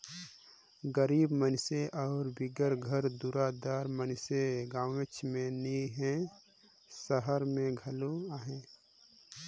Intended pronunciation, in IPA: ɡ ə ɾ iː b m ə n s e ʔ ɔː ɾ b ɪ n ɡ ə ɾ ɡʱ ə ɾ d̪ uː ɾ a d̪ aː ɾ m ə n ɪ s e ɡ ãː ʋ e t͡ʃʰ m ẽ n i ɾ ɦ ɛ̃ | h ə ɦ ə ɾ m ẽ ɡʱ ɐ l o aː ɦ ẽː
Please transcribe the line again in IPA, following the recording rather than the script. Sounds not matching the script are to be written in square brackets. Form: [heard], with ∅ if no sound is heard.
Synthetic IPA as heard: ɡ ə ɾ iː b m ə n s e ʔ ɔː ɾ b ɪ [∅] ɡ ə ɾ ɡʱ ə ɾ d̪ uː ɾ a d̪ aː ɾ m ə n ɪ s e ɡ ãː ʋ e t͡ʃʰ m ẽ n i [∅] ɦ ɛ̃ | [s] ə ɦ ə ɾ m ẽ ɡʱ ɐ l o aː ɦ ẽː